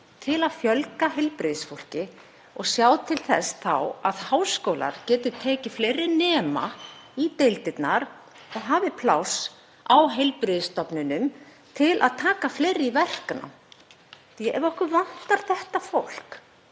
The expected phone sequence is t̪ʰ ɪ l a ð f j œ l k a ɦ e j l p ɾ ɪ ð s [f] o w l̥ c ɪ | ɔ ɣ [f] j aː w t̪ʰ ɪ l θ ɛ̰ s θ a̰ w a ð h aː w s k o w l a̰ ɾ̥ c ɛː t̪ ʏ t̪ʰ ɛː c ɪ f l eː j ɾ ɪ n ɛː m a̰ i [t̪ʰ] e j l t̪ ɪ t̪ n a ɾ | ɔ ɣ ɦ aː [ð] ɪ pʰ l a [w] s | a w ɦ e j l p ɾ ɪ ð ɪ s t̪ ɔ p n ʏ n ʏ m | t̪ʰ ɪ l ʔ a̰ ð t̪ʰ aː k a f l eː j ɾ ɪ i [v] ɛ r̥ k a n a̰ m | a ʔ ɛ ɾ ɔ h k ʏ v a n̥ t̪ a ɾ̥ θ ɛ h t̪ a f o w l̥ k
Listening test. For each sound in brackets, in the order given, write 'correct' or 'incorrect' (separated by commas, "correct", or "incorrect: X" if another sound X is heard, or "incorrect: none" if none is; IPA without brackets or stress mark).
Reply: correct, incorrect: s, incorrect: t̪, incorrect: v, correct, correct